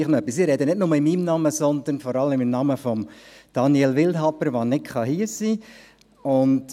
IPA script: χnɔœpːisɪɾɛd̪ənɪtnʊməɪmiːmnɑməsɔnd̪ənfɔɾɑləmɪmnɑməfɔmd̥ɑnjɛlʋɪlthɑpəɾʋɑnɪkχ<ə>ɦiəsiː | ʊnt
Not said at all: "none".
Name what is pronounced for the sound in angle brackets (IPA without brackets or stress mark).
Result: ɑ